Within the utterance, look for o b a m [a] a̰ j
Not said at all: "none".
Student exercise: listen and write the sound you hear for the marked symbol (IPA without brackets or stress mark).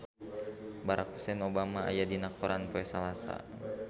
a